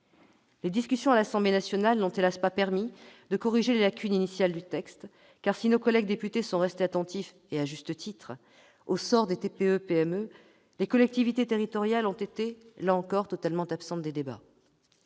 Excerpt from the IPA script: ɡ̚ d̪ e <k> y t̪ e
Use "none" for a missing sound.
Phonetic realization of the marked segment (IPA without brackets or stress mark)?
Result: p